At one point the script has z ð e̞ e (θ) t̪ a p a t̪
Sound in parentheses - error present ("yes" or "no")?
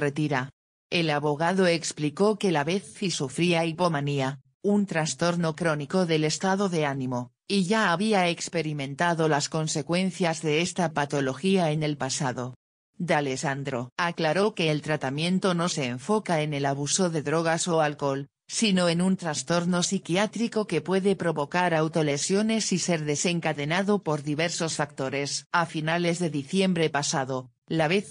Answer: yes